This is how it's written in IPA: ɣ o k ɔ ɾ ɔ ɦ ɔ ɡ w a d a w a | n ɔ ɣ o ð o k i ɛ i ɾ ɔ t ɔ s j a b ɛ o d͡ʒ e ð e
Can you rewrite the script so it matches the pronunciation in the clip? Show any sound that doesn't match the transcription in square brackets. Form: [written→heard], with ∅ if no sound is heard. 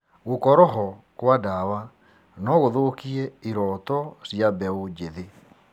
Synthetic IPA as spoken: ɣ o k ɔ ɾ ɔ ɦ ɔ [ɡ→k] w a d a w a | n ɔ ɣ o ð o k i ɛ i ɾ ɔ t ɔ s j a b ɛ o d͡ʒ e ð e